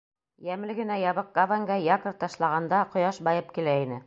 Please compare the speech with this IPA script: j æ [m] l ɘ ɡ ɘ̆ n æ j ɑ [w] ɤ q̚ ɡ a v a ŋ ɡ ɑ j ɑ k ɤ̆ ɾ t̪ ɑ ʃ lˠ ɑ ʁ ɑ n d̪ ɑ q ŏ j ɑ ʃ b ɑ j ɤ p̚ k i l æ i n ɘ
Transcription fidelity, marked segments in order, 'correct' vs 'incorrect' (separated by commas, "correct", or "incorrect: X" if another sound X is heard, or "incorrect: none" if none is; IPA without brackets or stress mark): correct, incorrect: β